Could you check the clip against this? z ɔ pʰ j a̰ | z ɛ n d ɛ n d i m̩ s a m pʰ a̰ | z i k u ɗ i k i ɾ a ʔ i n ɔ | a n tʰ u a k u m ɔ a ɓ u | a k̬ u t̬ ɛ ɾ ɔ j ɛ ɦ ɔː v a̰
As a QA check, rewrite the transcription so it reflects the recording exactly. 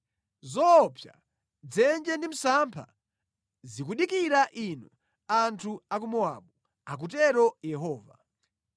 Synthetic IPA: z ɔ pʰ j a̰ | d͡z ɛ n d͡ʒ ɛ n d i m̩ s a m pʰ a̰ | z i k u ɗ i k i ɾ a ʔ i n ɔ | a n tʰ u a k u m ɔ a ɓ u | a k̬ u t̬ ɛ ɾ ɔ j ɛ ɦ ɔː v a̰